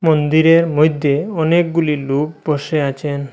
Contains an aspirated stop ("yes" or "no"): yes